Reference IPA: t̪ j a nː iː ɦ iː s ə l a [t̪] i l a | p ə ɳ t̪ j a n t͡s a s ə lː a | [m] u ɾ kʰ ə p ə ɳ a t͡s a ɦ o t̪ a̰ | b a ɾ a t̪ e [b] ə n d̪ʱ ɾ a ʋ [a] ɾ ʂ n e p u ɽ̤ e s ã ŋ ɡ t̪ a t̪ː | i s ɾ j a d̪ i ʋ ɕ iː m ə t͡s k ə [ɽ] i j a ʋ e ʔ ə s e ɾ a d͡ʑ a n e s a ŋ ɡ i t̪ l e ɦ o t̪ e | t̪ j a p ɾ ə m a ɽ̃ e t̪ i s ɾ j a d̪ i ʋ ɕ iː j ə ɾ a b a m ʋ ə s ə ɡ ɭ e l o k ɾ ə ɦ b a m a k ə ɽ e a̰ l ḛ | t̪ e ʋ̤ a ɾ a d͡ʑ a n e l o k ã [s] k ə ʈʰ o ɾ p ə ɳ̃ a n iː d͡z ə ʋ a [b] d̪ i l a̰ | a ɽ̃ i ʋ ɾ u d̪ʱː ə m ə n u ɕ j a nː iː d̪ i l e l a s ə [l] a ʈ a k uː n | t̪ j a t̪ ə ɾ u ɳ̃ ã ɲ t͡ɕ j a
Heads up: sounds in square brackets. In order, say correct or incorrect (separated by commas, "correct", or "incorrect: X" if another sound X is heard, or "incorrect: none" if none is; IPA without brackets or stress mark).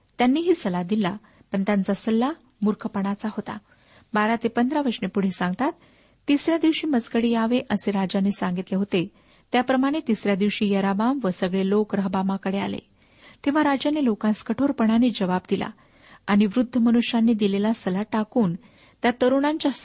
incorrect: d̪, correct, incorrect: p, incorrect: ə, correct, correct, correct, correct